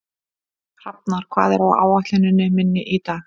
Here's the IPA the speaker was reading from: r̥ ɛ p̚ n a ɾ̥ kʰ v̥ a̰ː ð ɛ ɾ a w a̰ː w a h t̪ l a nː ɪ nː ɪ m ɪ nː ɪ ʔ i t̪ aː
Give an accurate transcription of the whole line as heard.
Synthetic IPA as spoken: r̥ a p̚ n a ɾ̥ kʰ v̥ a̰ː ð ɛ ɾ a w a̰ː w a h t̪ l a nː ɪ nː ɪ m ɪ nː ɪ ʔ i t̪ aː

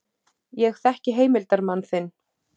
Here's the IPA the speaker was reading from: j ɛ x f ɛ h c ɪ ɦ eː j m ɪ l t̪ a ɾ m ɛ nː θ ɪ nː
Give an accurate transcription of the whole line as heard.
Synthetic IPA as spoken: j ɛ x θ ɛ h c ɪ ɦ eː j m ɪ l t̪ a ɾ m a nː θ ɪ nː

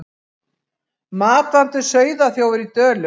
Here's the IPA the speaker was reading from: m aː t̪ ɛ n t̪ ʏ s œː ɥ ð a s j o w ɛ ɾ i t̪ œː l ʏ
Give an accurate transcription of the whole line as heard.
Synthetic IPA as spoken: m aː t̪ a n t̪ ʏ s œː ɥ ð a θ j o w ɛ ɾ i t̪ œː l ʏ

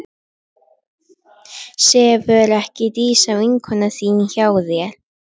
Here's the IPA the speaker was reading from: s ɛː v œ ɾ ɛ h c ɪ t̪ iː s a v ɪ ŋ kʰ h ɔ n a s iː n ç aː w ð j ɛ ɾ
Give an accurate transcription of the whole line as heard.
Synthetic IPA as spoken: s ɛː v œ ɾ ɛ h c ɪ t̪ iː s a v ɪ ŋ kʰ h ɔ n a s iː n ç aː w ð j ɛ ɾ

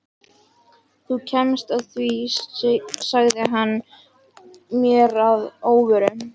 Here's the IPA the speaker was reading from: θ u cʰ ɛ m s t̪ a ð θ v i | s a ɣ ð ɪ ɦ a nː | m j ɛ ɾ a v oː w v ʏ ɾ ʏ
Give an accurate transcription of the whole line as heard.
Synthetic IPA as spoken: θ u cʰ ɛ m s t̪ a ð θ v i | s a ɣ ð ɪ ɦ a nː | m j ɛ ɾ a ð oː w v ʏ ɾ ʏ

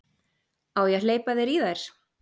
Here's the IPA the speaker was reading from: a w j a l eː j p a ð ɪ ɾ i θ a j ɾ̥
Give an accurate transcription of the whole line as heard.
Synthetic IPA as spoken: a w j ɛ l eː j p a ð ɪ ɾ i ð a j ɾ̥

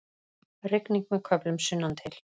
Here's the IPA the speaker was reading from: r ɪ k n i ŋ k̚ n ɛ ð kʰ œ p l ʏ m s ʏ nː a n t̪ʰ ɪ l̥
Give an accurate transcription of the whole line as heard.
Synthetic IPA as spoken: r ɪ k n i ŋ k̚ m ɛ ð kʰ œ p l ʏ m s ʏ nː a n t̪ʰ ɪ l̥

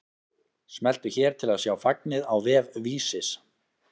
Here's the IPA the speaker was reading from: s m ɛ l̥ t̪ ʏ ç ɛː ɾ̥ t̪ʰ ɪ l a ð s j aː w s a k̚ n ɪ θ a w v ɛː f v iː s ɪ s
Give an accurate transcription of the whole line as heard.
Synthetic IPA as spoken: s m ɛ l̥ t̪ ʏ ç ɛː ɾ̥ t̪ʰ ɪ l a ð s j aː w f a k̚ n ɪ ð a w v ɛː v v iː s ɪ s

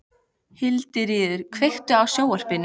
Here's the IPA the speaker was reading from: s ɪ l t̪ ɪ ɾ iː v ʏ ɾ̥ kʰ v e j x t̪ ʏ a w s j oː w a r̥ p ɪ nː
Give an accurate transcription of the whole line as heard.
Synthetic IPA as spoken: h ɪ l t̪ ɪ ɾ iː ð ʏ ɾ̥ kʰ v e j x t̪ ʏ a w s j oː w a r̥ p ɪ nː

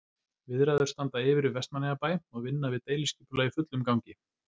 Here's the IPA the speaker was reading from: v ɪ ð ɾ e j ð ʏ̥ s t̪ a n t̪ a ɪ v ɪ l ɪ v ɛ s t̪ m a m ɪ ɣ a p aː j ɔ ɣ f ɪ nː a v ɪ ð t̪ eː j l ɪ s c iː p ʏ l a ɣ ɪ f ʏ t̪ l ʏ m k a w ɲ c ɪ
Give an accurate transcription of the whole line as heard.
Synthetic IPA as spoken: v ɪ ð ɾ a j ð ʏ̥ s t̪ a n t̪ a ɪ v ɪ ɾ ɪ v ɛ s t̪ m a n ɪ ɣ a p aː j ɔ ɣ v ɪ nː a v ɪ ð t̪ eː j l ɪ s c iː p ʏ l a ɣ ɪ f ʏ t̪ l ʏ m k a w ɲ c ɪ

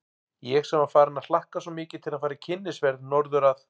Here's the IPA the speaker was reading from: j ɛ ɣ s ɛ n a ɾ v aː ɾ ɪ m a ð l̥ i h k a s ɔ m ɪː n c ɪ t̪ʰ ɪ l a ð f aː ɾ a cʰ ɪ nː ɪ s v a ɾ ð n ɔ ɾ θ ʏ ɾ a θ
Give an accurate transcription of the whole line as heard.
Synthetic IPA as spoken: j ɛ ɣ s ɛ m a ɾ f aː ɾ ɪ n a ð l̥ a h k a s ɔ m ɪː c ɪ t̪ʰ ɪ l a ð f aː ɾ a cʰ ɪ nː ɪ s v ɛ ɾ ð n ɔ ɾ ð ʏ ɾ a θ

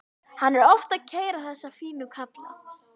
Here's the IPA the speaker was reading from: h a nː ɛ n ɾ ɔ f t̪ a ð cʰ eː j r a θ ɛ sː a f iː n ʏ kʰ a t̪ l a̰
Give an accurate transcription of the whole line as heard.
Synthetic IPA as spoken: h a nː ɛ ɾ ɔ f t̪ a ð cʰ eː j ɾ a θ ɛ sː a f iː n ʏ kʰ a t̪ l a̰

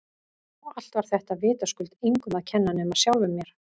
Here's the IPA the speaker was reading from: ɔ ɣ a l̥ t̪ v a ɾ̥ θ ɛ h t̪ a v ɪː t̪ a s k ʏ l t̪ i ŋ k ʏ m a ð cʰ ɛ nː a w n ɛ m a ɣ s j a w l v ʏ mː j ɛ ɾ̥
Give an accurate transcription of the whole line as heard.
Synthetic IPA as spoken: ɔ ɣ a l̥ t̪ v a ɾ̥ θ ɛ h t̪ a v ɪː t̪ a s k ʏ l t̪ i ŋ k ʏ m a ð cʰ ɛ nː a n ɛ m a ð s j a w l v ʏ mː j ɛ ɾ̥

